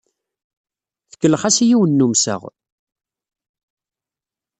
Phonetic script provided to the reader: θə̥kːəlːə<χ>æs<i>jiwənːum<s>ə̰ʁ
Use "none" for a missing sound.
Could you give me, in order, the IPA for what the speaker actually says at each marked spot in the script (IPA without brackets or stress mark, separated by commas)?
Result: χ, i, s